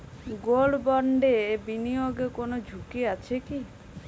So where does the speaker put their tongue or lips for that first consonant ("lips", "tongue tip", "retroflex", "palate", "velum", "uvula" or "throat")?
velum